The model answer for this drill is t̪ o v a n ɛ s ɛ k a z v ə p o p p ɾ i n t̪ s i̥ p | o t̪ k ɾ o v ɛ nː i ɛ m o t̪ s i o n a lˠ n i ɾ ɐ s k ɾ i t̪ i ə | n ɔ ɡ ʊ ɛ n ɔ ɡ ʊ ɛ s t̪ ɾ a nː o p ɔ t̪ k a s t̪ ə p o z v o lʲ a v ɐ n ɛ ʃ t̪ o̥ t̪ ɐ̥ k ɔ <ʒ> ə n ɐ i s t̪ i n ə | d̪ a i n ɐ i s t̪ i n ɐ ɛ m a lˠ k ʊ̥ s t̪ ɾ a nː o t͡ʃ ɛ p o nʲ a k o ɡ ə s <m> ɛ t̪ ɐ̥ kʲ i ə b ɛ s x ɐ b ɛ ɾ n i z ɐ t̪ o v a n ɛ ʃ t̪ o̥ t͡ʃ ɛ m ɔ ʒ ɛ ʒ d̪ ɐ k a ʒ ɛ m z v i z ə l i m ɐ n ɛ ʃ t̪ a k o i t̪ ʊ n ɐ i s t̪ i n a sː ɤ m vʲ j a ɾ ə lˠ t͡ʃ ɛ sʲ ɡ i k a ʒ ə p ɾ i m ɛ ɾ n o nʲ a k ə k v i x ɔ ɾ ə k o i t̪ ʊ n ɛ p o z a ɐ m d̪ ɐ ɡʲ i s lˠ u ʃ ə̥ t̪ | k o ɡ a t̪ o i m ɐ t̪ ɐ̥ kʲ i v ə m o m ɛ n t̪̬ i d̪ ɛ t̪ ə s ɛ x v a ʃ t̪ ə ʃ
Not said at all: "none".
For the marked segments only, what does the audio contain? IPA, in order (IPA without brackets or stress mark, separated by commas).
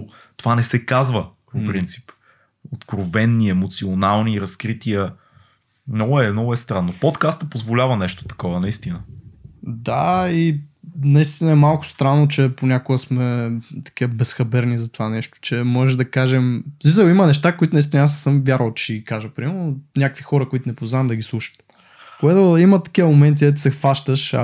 v, m